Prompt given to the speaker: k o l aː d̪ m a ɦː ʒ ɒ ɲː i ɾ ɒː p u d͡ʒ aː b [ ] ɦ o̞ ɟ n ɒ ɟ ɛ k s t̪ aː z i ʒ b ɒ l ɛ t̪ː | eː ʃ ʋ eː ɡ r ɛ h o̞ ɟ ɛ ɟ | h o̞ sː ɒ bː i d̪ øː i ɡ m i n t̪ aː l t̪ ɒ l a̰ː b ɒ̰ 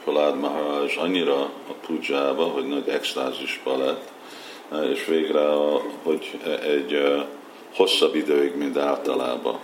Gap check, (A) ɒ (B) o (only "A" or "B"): A